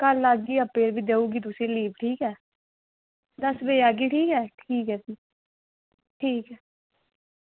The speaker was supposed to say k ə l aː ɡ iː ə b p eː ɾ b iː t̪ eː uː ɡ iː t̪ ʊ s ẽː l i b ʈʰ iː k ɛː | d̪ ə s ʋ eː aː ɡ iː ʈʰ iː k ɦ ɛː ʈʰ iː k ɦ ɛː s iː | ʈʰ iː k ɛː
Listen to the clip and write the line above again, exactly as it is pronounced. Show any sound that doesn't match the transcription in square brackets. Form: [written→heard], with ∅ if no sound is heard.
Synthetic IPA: k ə l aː ɡ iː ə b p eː ɾ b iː [t̪→d̪] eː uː ɡ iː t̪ ʊ s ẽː l [i→iː] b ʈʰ iː k ɛː | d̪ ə s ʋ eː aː ɡ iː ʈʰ iː k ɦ ɛː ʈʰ iː k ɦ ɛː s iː | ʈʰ iː k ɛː